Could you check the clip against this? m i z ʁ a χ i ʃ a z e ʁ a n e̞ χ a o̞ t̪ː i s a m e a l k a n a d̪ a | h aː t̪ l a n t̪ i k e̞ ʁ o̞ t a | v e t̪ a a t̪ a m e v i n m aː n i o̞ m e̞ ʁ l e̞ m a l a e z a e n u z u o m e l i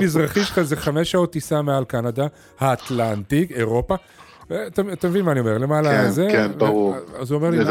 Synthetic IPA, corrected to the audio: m i z ʁ a χ i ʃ a z e χ a m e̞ ʃ a o̞ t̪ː i s a m e a l k a n a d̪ a | h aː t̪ l a n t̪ i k e̞ ʁ o̞ p a | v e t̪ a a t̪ a m e v i n m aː n i o̞ m e̞ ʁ l e̞ m a l a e z e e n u z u o m e l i